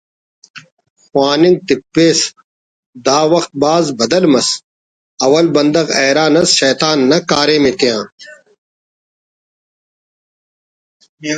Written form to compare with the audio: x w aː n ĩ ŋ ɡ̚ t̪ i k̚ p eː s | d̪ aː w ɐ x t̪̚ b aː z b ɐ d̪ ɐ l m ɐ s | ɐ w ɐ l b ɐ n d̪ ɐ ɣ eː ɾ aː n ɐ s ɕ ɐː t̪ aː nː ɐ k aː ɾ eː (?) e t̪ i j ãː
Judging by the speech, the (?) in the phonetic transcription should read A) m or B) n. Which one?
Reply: A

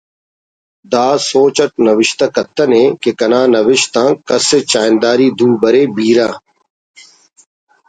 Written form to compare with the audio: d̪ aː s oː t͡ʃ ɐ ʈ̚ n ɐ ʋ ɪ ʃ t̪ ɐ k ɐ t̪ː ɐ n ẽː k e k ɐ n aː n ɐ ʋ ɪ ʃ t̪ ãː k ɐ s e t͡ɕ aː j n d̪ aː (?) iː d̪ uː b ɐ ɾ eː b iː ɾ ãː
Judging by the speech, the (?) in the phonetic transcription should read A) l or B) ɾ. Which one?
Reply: B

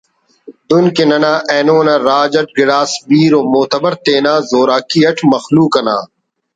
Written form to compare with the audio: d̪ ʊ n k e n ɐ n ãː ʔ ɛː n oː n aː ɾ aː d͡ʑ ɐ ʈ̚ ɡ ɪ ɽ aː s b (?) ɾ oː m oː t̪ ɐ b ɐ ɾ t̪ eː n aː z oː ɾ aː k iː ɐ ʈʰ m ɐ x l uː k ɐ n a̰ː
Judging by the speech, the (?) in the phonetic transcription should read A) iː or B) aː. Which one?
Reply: A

